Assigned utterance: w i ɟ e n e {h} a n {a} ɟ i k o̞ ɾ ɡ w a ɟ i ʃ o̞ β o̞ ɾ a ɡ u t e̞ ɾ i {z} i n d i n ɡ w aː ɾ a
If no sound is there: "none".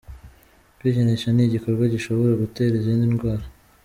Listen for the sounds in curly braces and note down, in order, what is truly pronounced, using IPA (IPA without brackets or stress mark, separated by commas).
ʃ, i, z